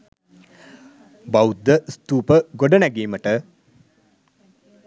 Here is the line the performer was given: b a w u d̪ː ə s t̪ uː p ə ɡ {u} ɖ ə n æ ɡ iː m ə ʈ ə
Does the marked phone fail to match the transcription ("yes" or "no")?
yes